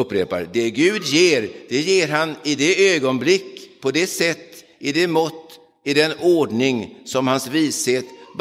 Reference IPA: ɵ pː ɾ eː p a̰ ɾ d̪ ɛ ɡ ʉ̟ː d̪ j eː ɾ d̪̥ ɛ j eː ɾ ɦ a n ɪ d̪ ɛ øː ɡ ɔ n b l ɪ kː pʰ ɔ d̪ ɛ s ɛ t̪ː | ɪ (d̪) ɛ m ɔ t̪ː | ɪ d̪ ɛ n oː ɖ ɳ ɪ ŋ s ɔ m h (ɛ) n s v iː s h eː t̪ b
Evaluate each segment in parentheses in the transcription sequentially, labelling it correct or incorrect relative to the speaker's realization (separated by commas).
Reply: correct, incorrect